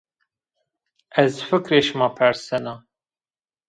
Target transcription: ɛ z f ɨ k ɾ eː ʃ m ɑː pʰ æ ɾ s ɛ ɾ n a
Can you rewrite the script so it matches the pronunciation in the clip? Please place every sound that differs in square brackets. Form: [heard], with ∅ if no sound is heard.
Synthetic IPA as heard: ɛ z f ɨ k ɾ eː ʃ m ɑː pʰ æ ɾ s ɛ [∅] n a